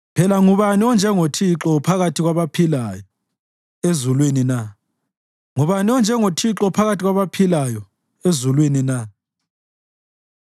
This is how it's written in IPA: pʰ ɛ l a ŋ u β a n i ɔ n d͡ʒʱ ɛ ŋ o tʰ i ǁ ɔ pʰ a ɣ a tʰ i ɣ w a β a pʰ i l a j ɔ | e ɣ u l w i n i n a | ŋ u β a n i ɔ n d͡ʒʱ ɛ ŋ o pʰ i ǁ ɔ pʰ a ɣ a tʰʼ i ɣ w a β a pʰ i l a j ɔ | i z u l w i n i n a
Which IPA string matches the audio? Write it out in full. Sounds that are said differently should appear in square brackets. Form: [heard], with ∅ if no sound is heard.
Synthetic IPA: pʰ ɛ l a ŋ u β a n i ɔ n d͡ʒʱ ɛ ŋ o tʰ i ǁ ɔ pʰ a ɣ a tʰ i ɣ w a β a pʰ i l a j ɔ | e [z] u l w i n i n a | ŋ u β a n i ɔ n d͡ʒʱ ɛ ŋ o [tʰ] i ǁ ɔ pʰ a ɣ a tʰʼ i ɣ w a β a pʰ i l a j ɔ | [e] z u l w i n i n a